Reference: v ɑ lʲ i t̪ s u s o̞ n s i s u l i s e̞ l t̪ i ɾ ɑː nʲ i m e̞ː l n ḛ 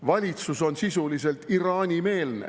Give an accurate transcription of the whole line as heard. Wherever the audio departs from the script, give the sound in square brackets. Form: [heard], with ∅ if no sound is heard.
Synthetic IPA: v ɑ lʲ i t̪ s u s o̞ n s i s u l i s e̞ l t̪ i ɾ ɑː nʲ i m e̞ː l n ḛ